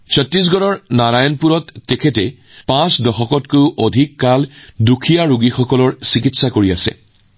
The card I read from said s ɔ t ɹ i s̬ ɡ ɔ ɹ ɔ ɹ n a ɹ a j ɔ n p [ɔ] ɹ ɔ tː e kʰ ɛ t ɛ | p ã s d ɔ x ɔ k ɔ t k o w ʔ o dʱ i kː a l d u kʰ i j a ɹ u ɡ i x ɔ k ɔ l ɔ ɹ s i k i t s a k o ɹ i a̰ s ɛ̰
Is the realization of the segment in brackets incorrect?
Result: yes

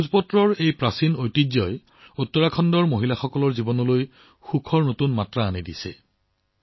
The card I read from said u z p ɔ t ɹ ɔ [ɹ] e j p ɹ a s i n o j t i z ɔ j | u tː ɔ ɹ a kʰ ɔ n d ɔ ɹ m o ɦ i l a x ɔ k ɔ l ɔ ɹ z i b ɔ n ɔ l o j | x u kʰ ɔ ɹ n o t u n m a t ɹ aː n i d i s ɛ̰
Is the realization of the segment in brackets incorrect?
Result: no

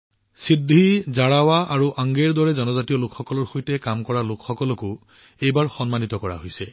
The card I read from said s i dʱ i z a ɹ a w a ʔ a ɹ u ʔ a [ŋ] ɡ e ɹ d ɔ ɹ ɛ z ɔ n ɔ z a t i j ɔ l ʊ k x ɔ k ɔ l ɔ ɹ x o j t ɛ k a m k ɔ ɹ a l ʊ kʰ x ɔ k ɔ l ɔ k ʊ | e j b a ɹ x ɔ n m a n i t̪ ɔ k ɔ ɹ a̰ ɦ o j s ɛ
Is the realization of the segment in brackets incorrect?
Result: no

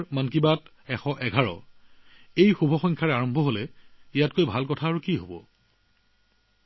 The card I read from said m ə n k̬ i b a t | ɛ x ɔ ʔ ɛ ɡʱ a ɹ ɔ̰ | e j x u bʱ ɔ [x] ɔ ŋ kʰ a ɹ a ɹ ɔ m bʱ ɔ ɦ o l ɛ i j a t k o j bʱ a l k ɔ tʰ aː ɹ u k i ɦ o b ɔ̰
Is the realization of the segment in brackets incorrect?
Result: no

